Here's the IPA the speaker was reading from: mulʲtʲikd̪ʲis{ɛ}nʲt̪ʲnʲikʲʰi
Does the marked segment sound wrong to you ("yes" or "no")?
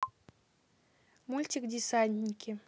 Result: yes